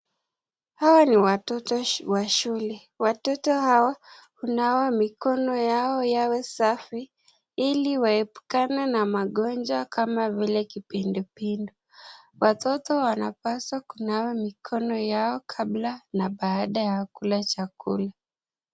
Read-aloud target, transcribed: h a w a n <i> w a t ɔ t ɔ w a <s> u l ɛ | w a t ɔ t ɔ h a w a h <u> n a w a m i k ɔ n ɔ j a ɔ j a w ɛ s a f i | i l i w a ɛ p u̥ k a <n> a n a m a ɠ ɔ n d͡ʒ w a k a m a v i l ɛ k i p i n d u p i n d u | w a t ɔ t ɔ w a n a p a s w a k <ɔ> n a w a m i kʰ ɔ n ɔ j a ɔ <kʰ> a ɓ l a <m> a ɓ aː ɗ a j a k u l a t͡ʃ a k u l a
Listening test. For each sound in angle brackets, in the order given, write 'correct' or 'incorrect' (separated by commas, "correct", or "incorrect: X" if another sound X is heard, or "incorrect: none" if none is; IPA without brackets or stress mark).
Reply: correct, incorrect: ʃ, correct, correct, incorrect: u, correct, incorrect: n